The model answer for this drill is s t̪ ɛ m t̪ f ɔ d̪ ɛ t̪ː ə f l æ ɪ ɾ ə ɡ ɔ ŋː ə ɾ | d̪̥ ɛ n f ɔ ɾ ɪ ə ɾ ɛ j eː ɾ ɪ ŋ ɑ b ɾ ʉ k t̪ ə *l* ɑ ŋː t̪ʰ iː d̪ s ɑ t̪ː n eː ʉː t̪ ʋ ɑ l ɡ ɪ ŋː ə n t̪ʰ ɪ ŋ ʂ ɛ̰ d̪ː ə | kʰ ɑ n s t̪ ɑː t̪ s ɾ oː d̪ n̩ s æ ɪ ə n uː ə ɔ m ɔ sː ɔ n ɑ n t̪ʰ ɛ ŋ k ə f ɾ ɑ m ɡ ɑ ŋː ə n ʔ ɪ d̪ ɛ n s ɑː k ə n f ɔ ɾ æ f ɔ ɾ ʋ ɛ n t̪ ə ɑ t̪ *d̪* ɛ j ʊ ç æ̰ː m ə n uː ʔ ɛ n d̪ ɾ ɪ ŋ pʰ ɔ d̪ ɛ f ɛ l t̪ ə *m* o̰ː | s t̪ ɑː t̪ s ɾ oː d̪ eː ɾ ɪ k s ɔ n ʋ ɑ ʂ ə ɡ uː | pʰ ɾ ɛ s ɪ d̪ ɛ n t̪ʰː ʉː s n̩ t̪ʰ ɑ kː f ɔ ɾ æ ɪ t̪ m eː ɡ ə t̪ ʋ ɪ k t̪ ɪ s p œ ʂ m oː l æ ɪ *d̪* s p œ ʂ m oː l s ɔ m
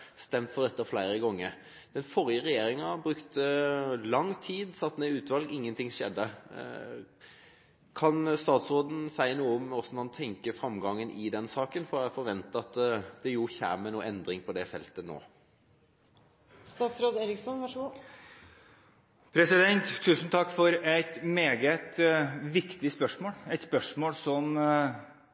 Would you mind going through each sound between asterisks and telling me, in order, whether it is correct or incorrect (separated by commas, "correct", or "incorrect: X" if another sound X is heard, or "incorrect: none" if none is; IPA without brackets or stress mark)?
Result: correct, correct, incorrect: n, incorrect: t̪